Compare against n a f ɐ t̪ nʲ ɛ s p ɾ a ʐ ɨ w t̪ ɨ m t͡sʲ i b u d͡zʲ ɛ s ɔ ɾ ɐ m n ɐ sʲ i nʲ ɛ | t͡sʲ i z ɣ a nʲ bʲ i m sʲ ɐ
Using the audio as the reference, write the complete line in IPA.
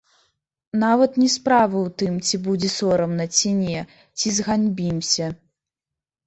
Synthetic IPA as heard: n a v ɐ t̪ nʲ ɛ s p ɾ a v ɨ w t̪ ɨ m t͡sʲ i b u d͡zʲ ɛ s ɔ ɾ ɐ m n ɐ t͡sʲ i nʲ ɛ | t͡sʲ i z ɣ a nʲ bʲ i m sʲ ɐ